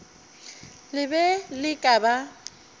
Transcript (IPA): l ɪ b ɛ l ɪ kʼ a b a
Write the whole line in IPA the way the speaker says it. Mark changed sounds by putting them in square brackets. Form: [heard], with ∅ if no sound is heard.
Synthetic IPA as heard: l ɪ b ɛ l ɪ kʼ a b a